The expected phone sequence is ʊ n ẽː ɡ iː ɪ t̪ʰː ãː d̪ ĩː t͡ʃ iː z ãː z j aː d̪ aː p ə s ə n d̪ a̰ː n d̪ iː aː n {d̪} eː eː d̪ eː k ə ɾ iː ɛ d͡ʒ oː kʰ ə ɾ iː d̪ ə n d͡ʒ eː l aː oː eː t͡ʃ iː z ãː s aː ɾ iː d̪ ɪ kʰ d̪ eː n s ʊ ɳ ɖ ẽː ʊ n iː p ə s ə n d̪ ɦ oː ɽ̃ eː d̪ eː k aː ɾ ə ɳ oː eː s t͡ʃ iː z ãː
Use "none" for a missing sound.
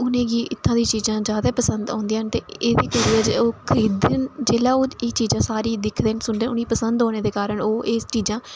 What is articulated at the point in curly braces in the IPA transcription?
t̪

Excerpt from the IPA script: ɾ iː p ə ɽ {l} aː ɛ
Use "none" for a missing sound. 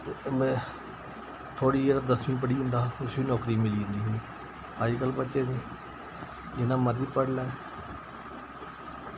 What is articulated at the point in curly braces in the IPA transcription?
l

